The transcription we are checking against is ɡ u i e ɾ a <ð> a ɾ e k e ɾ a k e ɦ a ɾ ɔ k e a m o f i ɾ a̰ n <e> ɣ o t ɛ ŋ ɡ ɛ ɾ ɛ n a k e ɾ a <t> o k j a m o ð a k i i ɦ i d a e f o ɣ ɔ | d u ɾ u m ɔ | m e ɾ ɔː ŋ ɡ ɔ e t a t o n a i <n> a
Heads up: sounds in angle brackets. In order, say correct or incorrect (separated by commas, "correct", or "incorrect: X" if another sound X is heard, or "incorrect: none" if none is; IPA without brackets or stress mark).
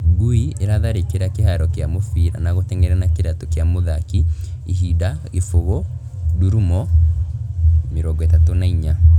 correct, incorrect: a, correct, incorrect: ɲ